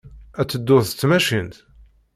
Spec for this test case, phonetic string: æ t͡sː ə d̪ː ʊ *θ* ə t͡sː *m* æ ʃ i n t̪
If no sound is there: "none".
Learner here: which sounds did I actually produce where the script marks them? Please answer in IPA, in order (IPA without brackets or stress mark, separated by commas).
θ, m